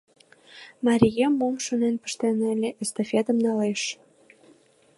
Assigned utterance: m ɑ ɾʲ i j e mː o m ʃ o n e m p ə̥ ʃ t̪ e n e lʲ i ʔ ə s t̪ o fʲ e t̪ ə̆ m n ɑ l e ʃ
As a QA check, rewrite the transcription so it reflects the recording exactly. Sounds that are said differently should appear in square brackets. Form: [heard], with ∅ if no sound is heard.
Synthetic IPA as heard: m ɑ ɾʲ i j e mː o m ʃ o n e [n] p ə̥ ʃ t̪ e n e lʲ [e] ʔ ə s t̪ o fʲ e t̪ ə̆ m n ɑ l e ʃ